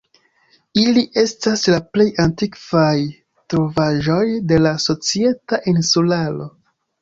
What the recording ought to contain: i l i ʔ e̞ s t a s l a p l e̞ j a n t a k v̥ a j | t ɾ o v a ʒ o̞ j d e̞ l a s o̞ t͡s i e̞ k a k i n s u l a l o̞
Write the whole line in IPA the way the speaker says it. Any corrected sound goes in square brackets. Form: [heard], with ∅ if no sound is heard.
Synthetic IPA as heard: i l i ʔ e̞ s t a s l a p l e̞ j a n t [i] k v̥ a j | t ɾ o v a ʒ o̞ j d e̞ l a s o̞ t͡s i e̞ [t] a [ʔ] i n s u l a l o̞